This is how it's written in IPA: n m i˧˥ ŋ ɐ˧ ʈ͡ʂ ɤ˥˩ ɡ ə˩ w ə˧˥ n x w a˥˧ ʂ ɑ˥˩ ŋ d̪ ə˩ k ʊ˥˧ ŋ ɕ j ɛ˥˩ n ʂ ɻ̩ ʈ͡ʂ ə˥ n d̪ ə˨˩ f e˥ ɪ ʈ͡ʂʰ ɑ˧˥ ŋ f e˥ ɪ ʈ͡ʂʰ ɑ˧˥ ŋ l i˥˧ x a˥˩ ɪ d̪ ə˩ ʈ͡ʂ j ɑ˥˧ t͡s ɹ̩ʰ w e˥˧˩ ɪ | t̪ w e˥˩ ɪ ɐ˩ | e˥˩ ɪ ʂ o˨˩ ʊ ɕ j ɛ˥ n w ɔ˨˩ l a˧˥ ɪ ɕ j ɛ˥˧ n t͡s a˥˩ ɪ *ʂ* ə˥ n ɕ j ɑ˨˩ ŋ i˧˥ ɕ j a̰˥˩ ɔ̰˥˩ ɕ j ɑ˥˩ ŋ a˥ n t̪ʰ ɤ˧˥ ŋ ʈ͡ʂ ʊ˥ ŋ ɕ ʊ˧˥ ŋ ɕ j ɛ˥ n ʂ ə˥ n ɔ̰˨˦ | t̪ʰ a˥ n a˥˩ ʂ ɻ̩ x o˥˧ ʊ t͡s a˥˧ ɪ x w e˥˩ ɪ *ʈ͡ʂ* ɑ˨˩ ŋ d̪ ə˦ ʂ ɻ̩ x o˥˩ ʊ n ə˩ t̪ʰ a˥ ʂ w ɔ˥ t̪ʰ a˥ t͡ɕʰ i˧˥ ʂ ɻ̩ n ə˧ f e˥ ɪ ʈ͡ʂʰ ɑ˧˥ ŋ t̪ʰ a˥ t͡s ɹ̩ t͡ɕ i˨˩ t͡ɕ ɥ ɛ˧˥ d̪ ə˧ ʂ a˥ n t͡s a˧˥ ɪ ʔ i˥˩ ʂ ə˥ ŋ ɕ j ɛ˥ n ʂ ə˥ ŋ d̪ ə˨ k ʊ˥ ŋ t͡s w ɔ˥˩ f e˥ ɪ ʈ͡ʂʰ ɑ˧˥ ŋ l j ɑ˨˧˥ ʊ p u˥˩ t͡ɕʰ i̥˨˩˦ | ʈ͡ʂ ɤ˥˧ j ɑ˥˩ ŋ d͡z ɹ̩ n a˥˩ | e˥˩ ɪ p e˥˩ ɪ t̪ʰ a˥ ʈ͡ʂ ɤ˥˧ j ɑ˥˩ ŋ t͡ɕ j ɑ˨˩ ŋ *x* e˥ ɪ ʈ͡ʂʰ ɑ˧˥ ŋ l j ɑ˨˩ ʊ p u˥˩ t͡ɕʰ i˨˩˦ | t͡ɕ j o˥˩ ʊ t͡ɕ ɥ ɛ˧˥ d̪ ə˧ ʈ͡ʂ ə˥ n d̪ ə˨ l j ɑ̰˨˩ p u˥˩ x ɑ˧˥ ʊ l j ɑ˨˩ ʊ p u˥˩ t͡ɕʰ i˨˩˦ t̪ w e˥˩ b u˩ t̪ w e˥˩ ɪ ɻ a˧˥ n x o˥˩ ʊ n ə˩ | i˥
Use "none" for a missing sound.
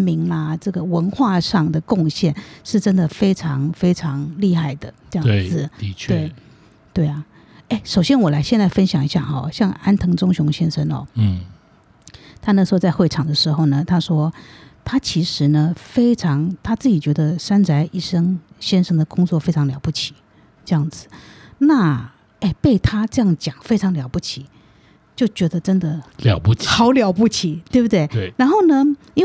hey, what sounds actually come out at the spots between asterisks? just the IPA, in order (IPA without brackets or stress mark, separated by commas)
f, ʈ͡ʂʰ, f